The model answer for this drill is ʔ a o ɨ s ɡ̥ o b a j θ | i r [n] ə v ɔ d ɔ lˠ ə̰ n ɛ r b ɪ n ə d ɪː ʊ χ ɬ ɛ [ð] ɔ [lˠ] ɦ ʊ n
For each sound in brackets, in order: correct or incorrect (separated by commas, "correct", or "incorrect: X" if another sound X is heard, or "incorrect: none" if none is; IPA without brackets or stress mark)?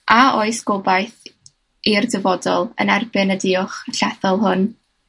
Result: incorrect: d, incorrect: θ, correct